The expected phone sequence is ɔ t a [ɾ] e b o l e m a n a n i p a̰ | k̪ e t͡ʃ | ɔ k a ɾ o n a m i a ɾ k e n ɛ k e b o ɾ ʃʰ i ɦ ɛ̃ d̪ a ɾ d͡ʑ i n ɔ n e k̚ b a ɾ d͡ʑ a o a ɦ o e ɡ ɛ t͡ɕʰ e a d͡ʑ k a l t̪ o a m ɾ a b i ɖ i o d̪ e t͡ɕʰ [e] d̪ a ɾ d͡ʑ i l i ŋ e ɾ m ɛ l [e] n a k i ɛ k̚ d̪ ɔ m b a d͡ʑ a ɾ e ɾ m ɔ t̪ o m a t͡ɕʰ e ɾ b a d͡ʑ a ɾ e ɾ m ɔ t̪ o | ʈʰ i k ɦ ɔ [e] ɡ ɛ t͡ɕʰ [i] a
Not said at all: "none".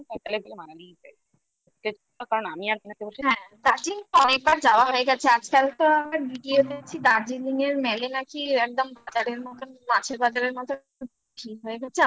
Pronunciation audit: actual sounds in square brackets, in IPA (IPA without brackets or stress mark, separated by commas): l, i, e, e, e